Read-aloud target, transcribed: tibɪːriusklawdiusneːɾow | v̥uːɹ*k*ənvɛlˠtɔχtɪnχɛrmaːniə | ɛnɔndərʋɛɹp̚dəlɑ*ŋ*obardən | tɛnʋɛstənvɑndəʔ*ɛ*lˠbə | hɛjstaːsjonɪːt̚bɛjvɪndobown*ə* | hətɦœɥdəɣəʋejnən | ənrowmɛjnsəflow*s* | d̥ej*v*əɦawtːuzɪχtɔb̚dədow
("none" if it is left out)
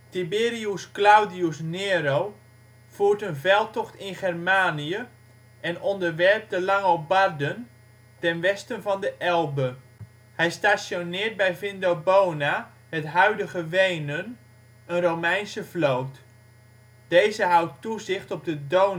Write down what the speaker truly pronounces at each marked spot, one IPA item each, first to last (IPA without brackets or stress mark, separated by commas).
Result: t, ŋ, ɛ, a, t, z